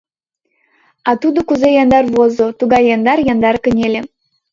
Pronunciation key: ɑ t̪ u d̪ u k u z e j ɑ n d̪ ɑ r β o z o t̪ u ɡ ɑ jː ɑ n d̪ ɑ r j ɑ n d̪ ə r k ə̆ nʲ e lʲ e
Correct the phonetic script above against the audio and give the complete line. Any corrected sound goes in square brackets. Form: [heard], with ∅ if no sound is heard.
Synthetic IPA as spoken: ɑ t̪ u d̪ [o] k u z e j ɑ n d̪ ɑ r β o z o t̪ u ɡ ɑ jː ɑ n d̪ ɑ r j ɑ n d̪ [ɑ] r k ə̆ nʲ e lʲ e